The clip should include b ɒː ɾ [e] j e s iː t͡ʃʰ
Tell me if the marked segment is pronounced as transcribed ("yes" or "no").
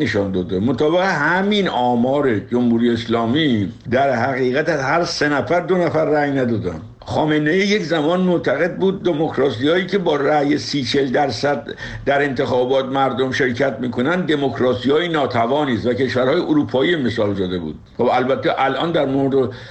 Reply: no